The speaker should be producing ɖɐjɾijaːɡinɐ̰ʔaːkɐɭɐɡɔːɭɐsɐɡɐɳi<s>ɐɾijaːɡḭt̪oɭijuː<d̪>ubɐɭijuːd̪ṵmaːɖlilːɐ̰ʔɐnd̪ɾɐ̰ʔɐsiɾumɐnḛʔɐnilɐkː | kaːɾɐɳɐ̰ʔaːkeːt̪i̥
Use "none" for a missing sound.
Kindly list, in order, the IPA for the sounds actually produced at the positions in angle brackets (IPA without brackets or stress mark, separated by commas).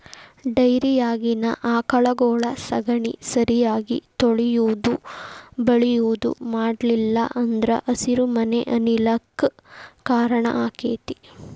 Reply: s, d̪